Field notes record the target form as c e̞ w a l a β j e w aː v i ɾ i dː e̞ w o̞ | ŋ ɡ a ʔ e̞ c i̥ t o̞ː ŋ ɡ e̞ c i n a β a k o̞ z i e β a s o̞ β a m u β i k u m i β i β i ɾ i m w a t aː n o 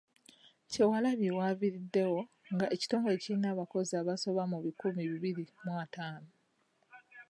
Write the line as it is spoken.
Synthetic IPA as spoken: c e̞ w a l a β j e w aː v i ɾ i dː e̞ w o̞ | ŋ ɡ a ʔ e̞ c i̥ t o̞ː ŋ ɡ e̞ c i n a β a k o̞ z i a β a s o̞ β a m u β i k u m i β i β i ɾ i m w a t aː n o